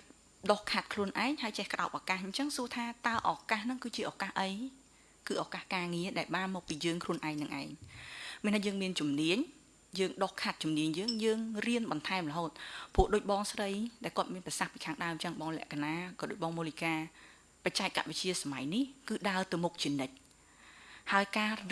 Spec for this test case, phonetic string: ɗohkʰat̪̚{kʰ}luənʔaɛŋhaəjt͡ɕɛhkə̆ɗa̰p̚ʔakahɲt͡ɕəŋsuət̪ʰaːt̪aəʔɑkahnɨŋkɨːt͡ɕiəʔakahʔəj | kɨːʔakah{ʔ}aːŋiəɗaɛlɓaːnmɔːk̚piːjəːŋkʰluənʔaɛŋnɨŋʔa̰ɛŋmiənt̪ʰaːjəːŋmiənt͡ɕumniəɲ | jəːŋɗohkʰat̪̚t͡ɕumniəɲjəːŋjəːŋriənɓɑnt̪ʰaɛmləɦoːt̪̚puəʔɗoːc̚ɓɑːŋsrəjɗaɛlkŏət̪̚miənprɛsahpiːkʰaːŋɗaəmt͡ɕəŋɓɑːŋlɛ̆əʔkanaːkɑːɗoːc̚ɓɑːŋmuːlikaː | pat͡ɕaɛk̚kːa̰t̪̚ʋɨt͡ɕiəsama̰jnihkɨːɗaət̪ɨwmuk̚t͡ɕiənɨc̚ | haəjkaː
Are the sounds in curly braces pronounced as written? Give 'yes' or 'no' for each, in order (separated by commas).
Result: yes, no